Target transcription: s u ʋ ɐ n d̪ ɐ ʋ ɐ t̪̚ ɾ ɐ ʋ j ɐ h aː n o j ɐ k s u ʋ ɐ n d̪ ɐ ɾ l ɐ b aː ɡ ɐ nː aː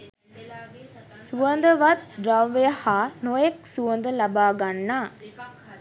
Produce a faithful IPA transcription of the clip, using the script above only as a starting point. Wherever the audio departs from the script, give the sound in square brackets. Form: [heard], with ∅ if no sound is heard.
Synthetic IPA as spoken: s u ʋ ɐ n d̪ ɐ ʋ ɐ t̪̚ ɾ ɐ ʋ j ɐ h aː n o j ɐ k s u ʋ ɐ n d̪ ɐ [∅] l ɐ b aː ɡ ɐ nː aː